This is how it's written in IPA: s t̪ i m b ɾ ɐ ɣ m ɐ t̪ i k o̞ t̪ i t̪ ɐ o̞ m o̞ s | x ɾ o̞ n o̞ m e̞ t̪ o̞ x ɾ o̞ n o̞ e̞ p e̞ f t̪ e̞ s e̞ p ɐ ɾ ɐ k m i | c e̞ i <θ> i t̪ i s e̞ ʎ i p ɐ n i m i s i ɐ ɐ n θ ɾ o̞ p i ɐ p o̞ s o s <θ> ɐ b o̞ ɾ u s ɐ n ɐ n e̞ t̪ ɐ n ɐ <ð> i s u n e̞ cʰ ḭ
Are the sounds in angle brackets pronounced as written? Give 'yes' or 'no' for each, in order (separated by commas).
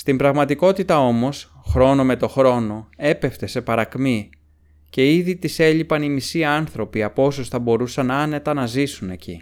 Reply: no, yes, no